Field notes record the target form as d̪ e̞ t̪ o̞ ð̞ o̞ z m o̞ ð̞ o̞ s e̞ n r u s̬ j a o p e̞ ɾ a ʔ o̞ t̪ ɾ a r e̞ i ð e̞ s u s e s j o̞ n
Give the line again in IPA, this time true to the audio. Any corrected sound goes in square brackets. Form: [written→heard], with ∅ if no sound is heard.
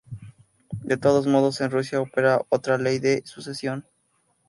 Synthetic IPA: d̪ e̞ t̪ o̞ ð̞ o̞ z m o̞ ð̞ o̞ s e̞ n r u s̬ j a o p e̞ ɾ a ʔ o̞ t̪ ɾ a [r→l] e̞ [i→j] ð e̞ s u s e s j o̞ n